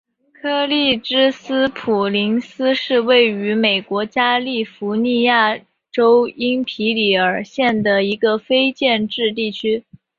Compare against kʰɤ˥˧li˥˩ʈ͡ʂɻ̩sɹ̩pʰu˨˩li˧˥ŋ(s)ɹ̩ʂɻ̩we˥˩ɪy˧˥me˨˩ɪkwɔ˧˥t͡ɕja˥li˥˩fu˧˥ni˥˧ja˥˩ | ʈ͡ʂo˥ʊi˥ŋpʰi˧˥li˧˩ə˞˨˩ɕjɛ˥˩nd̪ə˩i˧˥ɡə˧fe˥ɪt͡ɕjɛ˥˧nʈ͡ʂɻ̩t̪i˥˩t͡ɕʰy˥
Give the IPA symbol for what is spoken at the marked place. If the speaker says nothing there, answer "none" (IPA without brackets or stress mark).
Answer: s